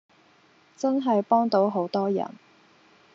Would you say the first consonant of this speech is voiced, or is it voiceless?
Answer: voiceless